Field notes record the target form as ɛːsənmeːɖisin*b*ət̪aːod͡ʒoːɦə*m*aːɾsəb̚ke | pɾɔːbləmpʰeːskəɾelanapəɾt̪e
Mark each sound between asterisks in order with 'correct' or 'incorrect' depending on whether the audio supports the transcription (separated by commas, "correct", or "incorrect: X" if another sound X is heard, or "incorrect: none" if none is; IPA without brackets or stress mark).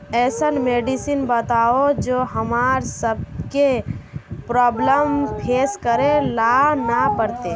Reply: correct, correct